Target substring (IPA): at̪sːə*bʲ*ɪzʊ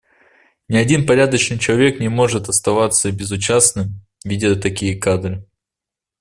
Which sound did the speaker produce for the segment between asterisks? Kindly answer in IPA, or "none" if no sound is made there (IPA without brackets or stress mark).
bʲ